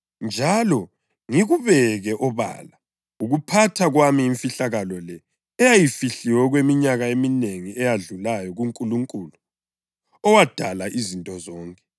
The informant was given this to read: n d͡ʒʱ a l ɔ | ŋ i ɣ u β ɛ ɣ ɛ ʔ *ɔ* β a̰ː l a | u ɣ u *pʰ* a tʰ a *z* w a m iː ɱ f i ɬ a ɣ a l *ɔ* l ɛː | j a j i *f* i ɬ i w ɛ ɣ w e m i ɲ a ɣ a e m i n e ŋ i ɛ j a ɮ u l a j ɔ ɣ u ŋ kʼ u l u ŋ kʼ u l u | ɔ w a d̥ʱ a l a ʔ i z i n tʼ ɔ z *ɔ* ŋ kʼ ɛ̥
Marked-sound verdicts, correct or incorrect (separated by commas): correct, correct, incorrect, correct, correct, incorrect